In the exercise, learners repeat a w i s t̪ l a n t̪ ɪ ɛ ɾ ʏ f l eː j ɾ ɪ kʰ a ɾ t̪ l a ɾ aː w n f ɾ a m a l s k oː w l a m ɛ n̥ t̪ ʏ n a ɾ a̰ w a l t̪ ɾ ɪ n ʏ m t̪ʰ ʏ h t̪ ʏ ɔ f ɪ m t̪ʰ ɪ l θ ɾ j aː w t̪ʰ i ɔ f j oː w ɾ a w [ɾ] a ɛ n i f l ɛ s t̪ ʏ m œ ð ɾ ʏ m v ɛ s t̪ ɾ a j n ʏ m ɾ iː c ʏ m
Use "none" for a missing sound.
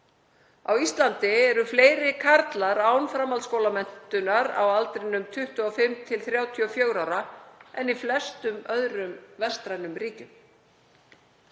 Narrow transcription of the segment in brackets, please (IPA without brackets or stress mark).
ɾ